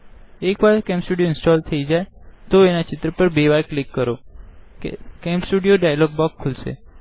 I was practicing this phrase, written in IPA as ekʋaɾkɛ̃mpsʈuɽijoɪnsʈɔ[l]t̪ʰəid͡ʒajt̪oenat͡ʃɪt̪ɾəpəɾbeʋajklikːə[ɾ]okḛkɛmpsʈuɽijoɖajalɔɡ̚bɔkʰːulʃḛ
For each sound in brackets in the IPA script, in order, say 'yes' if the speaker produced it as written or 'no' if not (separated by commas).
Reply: yes, yes